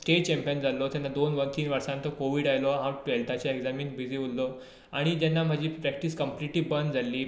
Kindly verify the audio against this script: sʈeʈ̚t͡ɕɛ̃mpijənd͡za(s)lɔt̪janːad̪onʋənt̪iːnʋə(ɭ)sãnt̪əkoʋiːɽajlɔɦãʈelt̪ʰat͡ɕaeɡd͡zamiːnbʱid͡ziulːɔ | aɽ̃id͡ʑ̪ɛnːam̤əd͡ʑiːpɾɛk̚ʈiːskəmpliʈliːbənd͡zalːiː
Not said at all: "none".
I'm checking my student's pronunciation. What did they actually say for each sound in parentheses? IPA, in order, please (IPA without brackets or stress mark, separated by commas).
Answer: none, ɾ